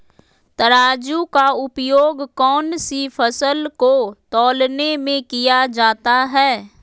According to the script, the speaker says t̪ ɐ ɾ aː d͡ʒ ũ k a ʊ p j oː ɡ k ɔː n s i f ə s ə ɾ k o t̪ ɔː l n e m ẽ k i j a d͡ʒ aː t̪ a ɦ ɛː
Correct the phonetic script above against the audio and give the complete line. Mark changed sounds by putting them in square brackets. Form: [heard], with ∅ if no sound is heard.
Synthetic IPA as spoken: t̪ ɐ ɾ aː d͡ʒ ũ k a ʊ p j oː ɡ k ɔː n s i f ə s ə [l] k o t̪ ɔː l n e m ẽ k i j a d͡ʒ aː t̪ a ɦ ɛː